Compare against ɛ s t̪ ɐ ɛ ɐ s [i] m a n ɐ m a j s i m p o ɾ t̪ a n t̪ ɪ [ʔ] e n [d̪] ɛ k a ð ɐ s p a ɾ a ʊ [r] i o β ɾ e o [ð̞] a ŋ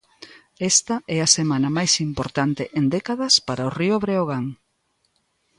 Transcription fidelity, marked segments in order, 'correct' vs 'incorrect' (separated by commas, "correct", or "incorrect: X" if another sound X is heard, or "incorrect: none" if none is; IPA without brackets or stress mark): incorrect: e, correct, correct, correct, incorrect: ɣ̞